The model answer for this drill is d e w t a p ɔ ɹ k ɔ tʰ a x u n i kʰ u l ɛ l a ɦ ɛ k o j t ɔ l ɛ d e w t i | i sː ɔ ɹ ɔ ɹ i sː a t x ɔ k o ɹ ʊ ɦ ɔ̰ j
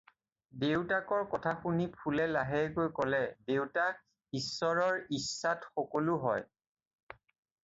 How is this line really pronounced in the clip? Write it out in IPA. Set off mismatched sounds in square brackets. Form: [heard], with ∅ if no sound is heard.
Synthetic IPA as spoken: d e w t a [k] ɔ ɹ k ɔ tʰ a x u n i [pʰ] u l ɛ l a ɦ ɛ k o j [k] ɔ l ɛ d e w t [a] | i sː ɔ ɹ ɔ ɹ i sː a t x ɔ k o [l] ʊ ɦ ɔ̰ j